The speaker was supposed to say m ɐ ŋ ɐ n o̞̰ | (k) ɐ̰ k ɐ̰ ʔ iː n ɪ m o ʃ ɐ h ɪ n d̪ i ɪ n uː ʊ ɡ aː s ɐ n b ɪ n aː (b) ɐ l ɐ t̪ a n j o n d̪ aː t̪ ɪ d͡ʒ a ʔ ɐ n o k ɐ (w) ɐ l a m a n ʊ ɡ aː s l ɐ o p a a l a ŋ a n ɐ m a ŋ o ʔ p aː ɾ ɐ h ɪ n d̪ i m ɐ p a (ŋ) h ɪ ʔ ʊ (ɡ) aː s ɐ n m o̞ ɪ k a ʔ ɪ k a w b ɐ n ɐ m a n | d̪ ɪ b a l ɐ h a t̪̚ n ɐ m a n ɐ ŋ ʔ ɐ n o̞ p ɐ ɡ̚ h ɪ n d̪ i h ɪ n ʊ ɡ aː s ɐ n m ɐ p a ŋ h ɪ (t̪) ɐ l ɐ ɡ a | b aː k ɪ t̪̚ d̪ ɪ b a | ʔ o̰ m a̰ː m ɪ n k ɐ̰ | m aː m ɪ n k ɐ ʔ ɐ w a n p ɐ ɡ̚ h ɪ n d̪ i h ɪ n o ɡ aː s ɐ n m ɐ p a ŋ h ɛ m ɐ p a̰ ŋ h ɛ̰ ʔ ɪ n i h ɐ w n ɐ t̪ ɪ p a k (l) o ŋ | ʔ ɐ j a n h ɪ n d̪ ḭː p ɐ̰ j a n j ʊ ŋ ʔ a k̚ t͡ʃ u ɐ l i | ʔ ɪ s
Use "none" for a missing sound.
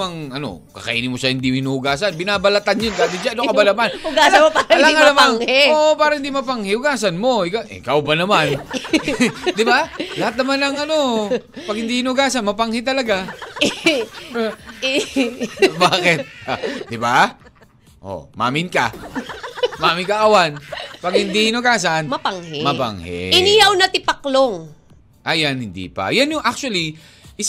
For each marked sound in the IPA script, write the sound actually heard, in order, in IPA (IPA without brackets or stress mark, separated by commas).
k, b, b, ŋ, ɡ, t̪, l